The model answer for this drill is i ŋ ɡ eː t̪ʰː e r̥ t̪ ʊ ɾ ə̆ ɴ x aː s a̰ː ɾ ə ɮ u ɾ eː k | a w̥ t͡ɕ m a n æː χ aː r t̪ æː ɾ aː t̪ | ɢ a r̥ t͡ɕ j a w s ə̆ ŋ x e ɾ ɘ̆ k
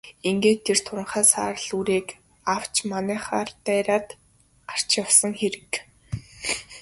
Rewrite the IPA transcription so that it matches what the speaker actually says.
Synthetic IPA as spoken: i ŋ ɡ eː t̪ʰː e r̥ t̪ʰ ʊ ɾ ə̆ ɴ χ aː s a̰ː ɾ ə ɮ u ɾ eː k | a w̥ t͡ɕ m a n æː χ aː r t̪ æː ɾ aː t̪ | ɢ a r̥ t͡ɕ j a w s ə̆ ŋ x e ɾ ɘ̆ k

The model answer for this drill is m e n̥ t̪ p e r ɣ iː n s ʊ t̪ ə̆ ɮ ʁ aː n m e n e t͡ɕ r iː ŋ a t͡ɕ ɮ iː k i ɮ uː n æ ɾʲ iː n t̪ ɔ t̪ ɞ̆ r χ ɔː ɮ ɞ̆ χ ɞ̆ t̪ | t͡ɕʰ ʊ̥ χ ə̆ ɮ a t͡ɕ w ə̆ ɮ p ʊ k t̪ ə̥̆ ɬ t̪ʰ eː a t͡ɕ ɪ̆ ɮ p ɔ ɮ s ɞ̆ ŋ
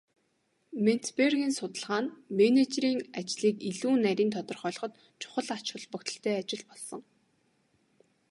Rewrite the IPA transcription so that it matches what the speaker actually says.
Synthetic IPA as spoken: m e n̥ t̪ p e r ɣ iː n s ʊ t̪ ə̆ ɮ ʁ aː n m e n e t͡ɕ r iː ŋ a t͡ɕ ɮ iː k i ɮ uː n æ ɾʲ iː n t̪ʰ ɔ t̪ ɞ̆ r χ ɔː ɮ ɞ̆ χ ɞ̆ t̪ | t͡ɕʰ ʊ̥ χ ə̆ ɮ a t͡ɕ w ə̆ ɮ p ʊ k t̪ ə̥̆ ɬ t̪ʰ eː a t͡ɕ ɪ̆ ɮ p ɔ ɮ s ɞ̆ ŋ

